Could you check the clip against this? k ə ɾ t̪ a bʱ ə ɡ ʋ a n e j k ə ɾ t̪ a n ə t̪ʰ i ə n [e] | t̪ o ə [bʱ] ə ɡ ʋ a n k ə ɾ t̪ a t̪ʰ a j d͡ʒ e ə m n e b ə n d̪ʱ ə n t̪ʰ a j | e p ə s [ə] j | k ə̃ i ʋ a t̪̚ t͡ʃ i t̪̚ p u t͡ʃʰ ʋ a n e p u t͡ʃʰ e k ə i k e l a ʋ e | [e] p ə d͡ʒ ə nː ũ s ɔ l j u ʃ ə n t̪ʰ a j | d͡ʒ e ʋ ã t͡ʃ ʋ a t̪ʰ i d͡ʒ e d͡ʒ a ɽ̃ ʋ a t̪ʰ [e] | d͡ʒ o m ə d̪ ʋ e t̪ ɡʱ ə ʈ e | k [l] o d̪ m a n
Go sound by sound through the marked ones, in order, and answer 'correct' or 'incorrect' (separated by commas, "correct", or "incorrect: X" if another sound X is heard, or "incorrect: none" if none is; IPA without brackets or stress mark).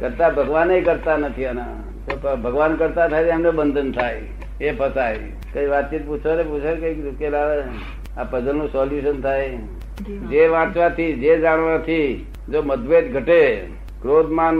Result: incorrect: a, correct, incorrect: a, incorrect: a, incorrect: i, incorrect: ɾ